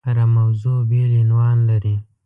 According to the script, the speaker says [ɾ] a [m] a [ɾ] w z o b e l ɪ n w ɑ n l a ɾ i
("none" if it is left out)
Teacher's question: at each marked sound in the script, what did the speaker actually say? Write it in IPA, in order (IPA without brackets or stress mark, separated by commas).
ɾ, m, none